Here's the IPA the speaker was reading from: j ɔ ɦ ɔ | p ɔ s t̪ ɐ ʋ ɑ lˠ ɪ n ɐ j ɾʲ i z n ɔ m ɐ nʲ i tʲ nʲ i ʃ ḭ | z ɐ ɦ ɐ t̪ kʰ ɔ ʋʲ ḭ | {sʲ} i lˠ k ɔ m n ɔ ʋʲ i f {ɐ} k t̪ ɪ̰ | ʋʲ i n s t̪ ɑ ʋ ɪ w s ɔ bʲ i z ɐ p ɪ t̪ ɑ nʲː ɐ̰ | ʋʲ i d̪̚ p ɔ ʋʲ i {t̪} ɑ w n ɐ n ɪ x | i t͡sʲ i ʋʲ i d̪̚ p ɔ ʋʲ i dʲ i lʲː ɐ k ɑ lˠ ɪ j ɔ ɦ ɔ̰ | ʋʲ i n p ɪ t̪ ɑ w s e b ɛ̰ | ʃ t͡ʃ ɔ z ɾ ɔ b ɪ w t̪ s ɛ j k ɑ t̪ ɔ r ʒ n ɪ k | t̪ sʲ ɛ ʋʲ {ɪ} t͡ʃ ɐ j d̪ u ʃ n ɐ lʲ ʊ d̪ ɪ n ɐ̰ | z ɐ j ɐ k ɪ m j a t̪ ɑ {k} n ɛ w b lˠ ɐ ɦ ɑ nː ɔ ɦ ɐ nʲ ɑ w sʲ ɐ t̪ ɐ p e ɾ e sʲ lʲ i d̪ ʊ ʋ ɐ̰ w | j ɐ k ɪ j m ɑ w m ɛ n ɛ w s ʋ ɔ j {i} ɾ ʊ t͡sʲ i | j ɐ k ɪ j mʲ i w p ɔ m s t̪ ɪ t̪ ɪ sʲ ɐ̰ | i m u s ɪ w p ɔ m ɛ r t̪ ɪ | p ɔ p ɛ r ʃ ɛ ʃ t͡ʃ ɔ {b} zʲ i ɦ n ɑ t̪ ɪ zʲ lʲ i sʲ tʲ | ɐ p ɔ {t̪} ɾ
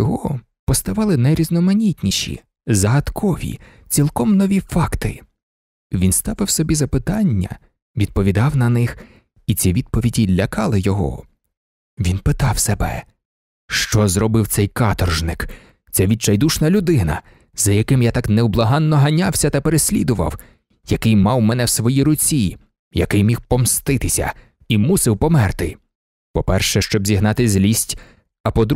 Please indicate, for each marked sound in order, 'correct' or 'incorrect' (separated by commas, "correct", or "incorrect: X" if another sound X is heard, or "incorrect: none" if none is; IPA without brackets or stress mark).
incorrect: t͡sʲ, incorrect: ɑ, incorrect: d̪, incorrect: i, correct, correct, correct, incorrect: d̪